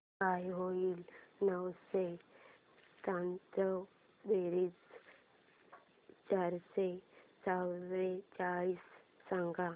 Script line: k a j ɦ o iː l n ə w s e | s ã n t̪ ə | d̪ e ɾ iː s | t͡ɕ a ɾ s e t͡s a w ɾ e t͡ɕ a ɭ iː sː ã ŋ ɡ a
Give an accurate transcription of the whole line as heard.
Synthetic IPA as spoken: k a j ɦ o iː l n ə w s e | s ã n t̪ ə | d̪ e ɾ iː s | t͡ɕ a ɾ s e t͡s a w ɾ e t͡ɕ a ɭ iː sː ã ŋ ɡ a